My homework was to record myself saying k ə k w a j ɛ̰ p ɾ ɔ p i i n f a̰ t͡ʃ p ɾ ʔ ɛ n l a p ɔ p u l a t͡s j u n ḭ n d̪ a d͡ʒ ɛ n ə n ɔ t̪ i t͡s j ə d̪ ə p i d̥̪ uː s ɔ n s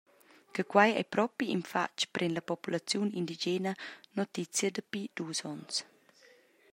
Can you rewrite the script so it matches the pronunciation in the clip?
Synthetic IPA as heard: k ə k w a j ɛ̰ p ɾ ɔ p i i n f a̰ t͡ʃ p ɾ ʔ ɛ n l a p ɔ p u l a t͡s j u n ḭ n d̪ i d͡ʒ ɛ n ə n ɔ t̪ i t͡s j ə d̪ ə p i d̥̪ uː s ɔ n s